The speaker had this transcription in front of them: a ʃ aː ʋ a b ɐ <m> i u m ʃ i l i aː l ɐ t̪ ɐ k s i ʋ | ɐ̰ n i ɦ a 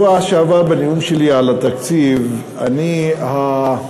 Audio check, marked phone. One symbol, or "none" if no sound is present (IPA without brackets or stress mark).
n